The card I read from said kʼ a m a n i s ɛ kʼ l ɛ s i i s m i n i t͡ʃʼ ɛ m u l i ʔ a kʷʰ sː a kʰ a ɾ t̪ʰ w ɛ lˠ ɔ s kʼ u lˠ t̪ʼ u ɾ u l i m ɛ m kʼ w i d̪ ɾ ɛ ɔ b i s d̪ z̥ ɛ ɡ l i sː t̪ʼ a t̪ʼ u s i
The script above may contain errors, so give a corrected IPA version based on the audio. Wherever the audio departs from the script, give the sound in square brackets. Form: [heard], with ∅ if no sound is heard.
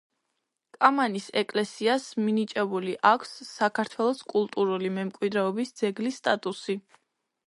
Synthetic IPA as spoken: kʼ a m a n i s ɛ kʼ l ɛ s i [a] s m i n i t͡ʃʼ ɛ [b] u l i ʔ a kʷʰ sː a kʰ a ɾ t̪ʰ w ɛ lˠ ɔ s kʼ u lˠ t̪ʼ u ɾ u l i m ɛ m kʼ w i d̪ ɾ ɛ ɔ b i s d̪ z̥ ɛ ɡ l i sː t̪ʼ a t̪ʼ u s i

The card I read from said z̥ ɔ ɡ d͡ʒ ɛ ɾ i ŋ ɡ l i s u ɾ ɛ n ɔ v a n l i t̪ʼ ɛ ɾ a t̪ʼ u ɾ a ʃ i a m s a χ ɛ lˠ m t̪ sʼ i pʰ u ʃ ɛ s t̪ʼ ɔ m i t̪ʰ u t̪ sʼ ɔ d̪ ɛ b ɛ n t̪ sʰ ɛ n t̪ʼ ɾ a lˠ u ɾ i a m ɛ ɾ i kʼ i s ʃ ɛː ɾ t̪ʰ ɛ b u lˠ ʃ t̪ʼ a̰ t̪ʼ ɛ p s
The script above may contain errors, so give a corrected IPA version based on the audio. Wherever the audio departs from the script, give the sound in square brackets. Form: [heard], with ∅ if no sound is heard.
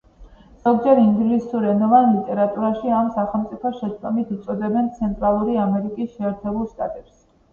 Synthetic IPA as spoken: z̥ ɔ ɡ d͡ʒ ɛ ɾ i ŋ ɡ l i s u ɾ ɛ n ɔ v a n l i t̪ʼ ɛ ɾ a t̪ʼ u ɾ a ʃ i a m s a χ ɛ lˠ m t̪ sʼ i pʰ [ɔ] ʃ ɛ s t̪ʼ ɔ m i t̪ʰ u t̪ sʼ ɔ d̪ ɛ b ɛ n t̪ sʰ ɛ n t̪ʼ ɾ a lˠ u ɾ i a m ɛ ɾ i kʼ i s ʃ ɛː ɾ t̪ʰ ɛ b u lˠ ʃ t̪ʼ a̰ t̪ʼ ɛ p s

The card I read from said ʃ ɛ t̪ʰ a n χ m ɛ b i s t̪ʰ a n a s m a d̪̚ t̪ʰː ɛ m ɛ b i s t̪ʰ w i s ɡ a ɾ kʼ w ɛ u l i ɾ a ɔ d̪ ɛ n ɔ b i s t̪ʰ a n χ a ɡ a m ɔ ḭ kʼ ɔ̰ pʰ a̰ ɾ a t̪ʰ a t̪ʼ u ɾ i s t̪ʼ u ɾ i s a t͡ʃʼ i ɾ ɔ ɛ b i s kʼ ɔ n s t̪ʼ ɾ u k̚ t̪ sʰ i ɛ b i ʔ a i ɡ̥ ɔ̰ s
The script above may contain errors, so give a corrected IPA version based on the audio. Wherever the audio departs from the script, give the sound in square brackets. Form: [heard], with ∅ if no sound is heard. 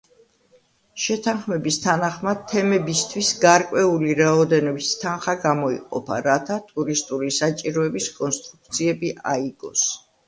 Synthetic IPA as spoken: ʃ ɛ t̪ʰ a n χ m ɛ b i s t̪ʰ a n a [χ] m a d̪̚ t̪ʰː ɛ m ɛ b i s t̪ʰ w i s ɡ a ɾ kʼ w ɛ u l i ɾ a ɔ d̪ ɛ n ɔ b i s t̪ʰ a n χ a ɡ a m ɔ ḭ [qʼ] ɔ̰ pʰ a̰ ɾ a t̪ʰ a t̪ʼ u ɾ i s t̪ʼ u ɾ i s a t͡ʃʼ i ɾ ɔ ɛ b i s kʼ ɔ n s t̪ʼ ɾ u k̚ t̪ sʰ i ɛ b i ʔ a i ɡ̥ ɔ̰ s

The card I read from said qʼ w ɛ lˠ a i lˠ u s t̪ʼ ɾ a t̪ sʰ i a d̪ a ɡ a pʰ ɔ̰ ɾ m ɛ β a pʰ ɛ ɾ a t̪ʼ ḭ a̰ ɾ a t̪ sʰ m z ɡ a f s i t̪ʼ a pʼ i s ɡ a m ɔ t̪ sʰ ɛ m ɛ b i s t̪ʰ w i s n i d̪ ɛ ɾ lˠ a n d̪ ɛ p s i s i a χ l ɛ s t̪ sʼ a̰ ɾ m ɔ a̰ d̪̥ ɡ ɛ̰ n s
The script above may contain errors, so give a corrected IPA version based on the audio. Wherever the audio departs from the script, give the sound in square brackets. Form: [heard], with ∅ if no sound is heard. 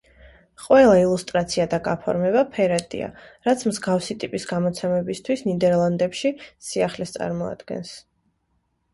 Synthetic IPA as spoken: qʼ w ɛ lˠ a i lˠ u s t̪ʼ ɾ a t̪ sʰ i a d̪ a ɡ a pʰ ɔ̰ ɾ m ɛ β a pʰ ɛ ɾ a t̪ʼ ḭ a̰ ɾ a t̪ sʰ m z ɡ a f s i t̪ʼ [i] pʼ i s ɡ a m ɔ t̪ sʰ ɛ m ɛ b i s t̪ʰ w i s n i d̪ ɛ ɾ lˠ a n d̪ ɛ p [ʃ] i s i a χ l ɛ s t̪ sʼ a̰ ɾ m ɔ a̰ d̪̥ ɡ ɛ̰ n s

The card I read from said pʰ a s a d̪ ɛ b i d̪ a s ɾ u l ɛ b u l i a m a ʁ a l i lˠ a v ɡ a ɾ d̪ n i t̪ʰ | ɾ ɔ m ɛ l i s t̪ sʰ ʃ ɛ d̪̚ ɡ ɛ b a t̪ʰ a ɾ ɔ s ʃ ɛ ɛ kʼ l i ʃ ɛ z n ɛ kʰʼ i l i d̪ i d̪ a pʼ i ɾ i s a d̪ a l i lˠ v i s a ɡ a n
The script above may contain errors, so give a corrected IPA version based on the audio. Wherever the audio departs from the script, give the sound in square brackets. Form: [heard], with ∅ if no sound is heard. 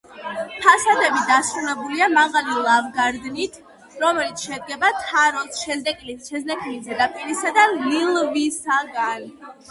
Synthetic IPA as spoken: pʰ a s a d̪ ɛ b i d̪ a s ɾ u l ɛ b u l i a m a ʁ a l i lˠ a v ɡ a ɾ d̪ n i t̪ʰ | ɾ ɔ m ɛ l i [∅] t̪ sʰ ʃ ɛ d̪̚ ɡ ɛ b a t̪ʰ a ɾ ɔ s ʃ ɛ ɛ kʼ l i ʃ ɛ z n ɛ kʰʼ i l i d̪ [ɛ] d̪ a pʼ i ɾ i s a d̪ a l i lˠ v i s a ɡ a n

